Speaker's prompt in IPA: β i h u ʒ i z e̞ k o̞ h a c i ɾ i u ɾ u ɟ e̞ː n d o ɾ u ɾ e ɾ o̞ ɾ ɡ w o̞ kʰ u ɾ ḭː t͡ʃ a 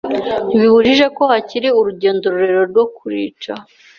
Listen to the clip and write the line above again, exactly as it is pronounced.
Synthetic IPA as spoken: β i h u ʒ i ʒ e̞ k o̞ h a c i ɾ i u ɾ u ɟ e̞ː n d o ɾ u ɾ e ɾ o̞ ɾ ɡ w o̞ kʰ u ɾ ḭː t͡ʃ a